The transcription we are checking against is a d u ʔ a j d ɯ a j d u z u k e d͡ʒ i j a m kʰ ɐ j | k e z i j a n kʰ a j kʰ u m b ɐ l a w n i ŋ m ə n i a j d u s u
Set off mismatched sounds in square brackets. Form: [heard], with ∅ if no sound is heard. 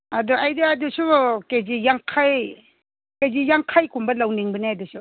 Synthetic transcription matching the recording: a d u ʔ a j d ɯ a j d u [s] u k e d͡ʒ i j a [ŋ] kʰ [a] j | k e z i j a [ŋ] kʰ a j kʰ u m b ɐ l a w n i ŋ [b] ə n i a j d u s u